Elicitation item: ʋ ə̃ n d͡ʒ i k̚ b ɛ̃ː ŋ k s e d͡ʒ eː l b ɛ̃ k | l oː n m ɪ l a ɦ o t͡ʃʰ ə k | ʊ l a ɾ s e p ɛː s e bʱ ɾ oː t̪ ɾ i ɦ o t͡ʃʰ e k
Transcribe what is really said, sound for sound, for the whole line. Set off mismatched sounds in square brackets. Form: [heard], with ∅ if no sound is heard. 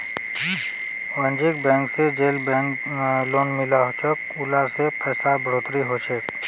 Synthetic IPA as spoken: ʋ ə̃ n d͡ʒ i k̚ b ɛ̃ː ŋ k s e d͡ʒ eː l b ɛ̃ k | l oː n m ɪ l a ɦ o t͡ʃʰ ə k | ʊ l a ɾ s e p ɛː s [a] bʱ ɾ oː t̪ ɾ i ɦ o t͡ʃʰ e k